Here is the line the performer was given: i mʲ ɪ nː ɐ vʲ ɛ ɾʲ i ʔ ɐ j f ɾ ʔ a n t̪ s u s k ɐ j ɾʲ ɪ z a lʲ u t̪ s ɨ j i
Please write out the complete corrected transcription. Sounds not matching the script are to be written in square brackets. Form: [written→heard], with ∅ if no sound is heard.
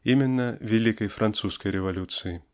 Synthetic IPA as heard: i mʲ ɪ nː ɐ vʲ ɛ [ɾʲ→lʲ] i [ʔ→k] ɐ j f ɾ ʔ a n t̪ s u s k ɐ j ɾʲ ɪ [z→v] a lʲ u t̪ s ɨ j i